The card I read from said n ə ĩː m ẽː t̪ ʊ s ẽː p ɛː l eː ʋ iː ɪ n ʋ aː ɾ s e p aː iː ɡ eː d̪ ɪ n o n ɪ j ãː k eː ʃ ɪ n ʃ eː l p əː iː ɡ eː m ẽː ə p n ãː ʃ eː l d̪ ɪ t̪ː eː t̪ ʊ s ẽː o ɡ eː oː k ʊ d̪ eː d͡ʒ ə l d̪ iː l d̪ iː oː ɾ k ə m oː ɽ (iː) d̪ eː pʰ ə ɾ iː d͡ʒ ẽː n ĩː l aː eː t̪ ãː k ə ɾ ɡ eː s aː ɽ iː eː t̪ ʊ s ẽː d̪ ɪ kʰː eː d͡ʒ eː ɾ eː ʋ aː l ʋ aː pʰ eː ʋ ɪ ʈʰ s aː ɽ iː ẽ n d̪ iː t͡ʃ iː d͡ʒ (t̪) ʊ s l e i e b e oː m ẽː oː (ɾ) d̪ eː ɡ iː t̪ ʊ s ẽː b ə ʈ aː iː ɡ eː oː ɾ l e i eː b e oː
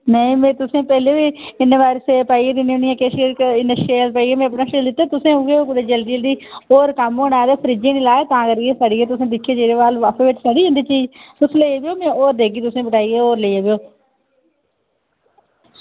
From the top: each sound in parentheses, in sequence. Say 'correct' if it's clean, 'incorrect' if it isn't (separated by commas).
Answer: incorrect, correct, correct